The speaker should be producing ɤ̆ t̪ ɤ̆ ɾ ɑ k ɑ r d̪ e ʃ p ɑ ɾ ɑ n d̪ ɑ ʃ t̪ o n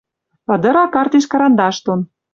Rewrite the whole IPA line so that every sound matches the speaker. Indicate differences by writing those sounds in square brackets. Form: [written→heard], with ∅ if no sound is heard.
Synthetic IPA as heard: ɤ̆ [t̪→d̪] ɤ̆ ɾ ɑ k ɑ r [d̪→t̪] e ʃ [p→k] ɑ ɾ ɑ n d̪ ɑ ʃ t̪ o n